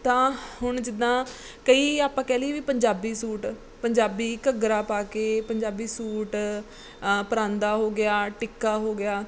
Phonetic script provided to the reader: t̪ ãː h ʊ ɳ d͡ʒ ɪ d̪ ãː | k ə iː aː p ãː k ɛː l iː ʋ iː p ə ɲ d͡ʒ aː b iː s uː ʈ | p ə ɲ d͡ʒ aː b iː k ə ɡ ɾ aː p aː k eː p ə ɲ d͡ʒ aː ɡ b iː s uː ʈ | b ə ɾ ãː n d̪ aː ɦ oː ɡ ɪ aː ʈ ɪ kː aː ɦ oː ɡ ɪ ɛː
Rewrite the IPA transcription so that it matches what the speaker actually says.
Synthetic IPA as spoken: t̪ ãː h ʊ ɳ d͡ʒ ɪ d̪ ãː | k ə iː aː p ãː k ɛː l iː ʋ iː p ə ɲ d͡ʒ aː b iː s uː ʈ | p ə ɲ d͡ʒ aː b iː k ə ɡ ɾ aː p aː k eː p ə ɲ d͡ʒ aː b iː s uː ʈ | p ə ɾ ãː n d̪ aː ɦ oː ɡ ɪ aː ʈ ɪ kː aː ɦ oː ɡ ɪ aː